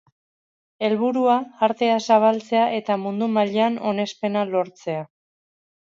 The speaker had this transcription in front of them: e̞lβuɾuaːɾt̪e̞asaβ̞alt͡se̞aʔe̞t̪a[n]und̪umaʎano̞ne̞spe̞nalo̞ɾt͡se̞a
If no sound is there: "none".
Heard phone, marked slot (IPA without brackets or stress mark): m